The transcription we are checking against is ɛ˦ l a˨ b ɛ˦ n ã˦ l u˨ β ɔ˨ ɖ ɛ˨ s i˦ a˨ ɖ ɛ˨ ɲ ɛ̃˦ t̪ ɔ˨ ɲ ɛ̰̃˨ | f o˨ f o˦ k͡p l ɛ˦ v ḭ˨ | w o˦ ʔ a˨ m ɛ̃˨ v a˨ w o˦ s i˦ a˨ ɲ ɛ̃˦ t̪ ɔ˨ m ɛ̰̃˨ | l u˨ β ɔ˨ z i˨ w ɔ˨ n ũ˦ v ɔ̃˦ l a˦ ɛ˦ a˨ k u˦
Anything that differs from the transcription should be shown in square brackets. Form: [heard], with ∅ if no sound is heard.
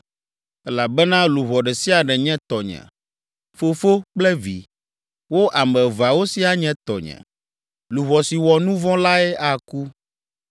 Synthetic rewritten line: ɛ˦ l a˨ b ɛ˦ n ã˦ l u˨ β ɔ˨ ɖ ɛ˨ s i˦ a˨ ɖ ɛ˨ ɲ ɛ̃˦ t̪ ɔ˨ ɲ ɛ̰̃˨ | f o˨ f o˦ k͡p l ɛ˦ v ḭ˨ | w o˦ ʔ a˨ m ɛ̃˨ v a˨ w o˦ s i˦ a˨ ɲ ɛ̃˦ t̪ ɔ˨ [ɲ] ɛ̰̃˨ | l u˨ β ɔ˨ [s] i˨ w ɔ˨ n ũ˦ v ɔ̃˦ l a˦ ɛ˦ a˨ k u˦